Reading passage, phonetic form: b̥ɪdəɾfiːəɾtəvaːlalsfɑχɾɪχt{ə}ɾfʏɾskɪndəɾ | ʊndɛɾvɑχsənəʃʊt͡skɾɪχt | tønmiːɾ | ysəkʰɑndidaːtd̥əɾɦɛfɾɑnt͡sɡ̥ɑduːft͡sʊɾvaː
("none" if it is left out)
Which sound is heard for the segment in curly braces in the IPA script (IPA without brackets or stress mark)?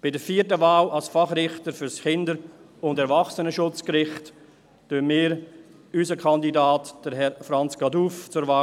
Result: ə